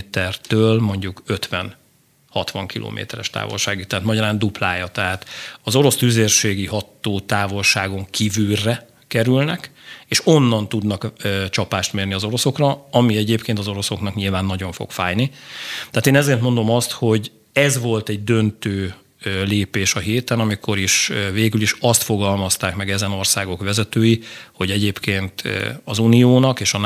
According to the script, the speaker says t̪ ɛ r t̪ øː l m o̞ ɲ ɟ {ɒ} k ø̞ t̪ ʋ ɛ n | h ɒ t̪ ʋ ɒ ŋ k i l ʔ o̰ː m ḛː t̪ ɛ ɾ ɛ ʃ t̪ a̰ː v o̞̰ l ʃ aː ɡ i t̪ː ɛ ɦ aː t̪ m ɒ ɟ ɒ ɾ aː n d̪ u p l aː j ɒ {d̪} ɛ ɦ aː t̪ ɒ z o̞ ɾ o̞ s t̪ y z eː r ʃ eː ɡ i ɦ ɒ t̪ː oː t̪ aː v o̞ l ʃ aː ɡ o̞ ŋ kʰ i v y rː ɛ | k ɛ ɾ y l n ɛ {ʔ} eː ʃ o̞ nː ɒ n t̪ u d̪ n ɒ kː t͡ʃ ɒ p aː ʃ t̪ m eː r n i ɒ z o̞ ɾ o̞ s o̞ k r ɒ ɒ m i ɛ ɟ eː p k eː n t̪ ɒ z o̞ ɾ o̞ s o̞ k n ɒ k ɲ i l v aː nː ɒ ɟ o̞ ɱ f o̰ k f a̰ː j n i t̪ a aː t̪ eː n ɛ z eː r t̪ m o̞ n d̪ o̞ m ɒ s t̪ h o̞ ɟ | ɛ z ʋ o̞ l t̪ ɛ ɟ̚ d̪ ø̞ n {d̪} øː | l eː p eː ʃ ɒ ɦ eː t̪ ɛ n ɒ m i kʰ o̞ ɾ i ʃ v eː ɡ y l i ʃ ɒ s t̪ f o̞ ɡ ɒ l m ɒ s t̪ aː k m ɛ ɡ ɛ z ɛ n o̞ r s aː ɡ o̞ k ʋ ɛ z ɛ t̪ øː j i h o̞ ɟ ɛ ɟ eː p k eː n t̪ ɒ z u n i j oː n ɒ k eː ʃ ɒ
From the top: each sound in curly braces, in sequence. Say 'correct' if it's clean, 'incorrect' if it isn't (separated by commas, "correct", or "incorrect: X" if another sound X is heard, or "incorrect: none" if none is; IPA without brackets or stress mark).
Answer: incorrect: u, incorrect: t̪, incorrect: k, incorrect: t̪